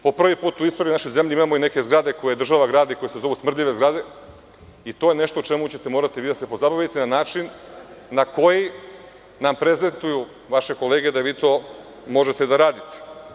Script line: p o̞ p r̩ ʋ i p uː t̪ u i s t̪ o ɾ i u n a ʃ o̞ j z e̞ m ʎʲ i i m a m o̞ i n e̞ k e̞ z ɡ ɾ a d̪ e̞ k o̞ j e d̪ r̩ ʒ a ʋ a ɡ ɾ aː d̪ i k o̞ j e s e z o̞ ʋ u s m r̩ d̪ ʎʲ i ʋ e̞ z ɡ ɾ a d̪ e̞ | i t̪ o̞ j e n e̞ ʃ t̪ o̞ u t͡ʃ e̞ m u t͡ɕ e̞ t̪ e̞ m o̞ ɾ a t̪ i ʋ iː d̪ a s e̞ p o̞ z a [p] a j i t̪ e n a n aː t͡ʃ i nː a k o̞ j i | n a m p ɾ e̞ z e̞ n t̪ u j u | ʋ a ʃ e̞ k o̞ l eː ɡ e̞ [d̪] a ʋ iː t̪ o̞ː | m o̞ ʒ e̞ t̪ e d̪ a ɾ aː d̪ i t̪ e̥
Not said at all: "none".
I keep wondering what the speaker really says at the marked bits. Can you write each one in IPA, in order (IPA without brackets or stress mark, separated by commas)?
b, d̪